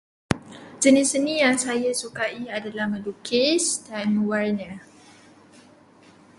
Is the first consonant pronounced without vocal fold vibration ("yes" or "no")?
no